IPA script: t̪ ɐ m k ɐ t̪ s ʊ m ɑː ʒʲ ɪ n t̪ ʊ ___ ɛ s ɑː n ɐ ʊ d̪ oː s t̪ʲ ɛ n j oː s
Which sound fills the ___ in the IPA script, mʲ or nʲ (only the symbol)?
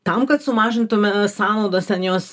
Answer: mʲ